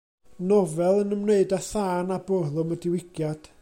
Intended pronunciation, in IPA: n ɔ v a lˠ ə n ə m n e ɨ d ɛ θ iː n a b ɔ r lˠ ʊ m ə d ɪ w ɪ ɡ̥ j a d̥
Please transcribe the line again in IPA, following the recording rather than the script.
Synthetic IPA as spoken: n ɔ v ɛ lˠ ə n ə m n e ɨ d a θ aː n a b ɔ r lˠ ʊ m ə d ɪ w ɪ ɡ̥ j a d̥